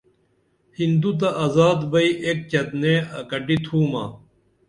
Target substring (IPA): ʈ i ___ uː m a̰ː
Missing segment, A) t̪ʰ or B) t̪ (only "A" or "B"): A